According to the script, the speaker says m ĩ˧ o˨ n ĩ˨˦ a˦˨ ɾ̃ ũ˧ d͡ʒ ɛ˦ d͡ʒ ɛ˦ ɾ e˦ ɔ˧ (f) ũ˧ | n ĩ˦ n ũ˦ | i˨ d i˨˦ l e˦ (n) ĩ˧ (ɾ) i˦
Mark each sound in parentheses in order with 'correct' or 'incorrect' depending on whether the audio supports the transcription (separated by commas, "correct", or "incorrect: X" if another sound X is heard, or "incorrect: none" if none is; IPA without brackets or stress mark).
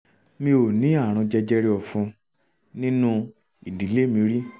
correct, incorrect: m, correct